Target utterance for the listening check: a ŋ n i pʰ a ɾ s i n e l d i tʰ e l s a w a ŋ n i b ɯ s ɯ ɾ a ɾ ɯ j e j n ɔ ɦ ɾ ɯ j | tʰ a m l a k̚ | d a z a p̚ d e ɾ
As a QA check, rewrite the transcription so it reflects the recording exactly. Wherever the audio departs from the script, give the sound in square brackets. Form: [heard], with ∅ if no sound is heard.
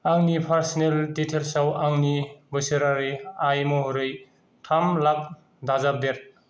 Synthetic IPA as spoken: a ŋ n i pʰ a ɾ s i n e l d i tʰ e l s a w a ŋ n i b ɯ s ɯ ɾ a ɾ ɯ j [a] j [m] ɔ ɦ ɾ ɯ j | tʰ a m l a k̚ | d a z a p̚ d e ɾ